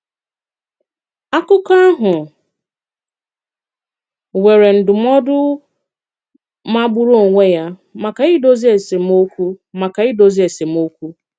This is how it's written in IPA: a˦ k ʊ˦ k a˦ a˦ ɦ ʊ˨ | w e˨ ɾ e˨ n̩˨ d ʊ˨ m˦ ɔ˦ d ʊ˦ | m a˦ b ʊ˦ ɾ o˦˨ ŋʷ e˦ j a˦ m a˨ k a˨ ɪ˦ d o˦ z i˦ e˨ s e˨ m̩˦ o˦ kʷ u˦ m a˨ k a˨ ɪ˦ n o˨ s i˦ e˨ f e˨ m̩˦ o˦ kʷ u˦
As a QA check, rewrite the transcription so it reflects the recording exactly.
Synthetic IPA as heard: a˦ k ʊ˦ k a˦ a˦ ɦ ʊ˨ | w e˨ ɾ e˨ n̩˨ d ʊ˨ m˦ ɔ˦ d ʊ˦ | m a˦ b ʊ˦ ɾ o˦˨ ŋʷ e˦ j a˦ m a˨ k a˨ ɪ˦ d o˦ z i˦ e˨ s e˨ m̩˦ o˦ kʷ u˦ m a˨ k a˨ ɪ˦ d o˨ z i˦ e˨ s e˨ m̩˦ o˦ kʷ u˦